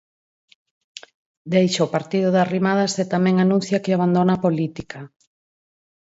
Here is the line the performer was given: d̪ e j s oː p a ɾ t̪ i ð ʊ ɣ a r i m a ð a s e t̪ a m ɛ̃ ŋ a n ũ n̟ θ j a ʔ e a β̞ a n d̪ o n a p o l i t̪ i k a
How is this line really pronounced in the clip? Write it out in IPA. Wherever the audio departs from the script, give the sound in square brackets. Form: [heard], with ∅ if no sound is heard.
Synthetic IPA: d̪ e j [ʃ] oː p a ɾ t̪ i ð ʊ [ð] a r i m a ð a s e t̪ a m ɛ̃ ŋ a n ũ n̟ θ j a [k] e a β̞ a n d̪ o n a p o l i t̪ i k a